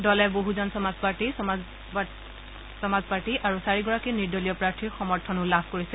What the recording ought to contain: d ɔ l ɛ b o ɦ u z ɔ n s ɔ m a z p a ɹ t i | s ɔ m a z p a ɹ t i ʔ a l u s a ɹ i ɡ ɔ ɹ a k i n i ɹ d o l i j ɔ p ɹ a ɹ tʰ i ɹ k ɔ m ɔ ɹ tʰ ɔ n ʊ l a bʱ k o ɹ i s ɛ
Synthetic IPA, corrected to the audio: d ɔ l ɛ b o ɦ u z ɔ n s ɔ m a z p a ɹ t i | s ɔ m a z p a ɹ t i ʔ a ɹ u s a ɹ i ɡ ɔ ɹ a k i n i ɹ d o l i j ɔ p ɹ a ɹ tʰ i ɹ x ɔ m ɔ ɹ tʰ ɔ n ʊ l a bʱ k o ɹ i s ɛ